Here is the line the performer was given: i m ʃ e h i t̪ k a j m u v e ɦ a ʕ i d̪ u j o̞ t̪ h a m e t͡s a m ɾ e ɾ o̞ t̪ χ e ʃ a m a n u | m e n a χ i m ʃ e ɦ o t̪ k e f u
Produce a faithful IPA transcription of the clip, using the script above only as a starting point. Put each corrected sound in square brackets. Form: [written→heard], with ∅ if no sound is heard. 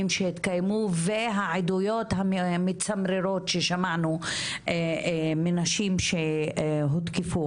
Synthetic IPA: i m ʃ e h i t̪ k a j m u v e ɦ a ʕ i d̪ u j o̞ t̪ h a m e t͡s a m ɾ e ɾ o̞ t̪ [χ→ʃ] e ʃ a m a n u | m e n a [χ→ʃ] i m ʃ e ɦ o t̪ k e f u